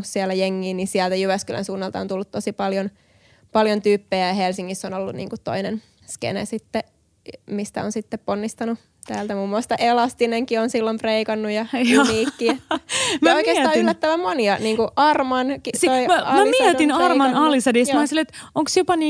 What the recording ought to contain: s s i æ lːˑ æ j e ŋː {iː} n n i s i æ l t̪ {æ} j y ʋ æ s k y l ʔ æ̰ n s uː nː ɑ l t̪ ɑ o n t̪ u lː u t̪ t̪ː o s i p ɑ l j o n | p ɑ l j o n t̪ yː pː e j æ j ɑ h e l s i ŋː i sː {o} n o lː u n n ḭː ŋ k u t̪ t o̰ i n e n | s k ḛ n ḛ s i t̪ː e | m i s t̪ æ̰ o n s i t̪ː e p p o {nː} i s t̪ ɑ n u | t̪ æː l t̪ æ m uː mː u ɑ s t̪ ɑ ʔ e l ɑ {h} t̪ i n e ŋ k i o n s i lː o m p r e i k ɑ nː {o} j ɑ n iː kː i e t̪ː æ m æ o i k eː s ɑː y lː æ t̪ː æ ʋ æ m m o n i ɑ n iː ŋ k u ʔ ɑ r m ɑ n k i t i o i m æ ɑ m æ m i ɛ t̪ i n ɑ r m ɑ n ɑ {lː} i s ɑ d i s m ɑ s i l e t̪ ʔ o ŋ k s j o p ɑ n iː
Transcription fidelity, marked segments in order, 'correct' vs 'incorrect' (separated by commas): correct, correct, correct, correct, incorrect, incorrect, incorrect